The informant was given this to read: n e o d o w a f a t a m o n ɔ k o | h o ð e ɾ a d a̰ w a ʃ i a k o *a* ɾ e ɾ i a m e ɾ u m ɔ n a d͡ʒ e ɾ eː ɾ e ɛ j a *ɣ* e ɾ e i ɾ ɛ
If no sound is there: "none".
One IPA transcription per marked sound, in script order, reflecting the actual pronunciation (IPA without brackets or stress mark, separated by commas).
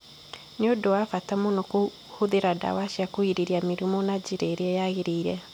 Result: i, ɣ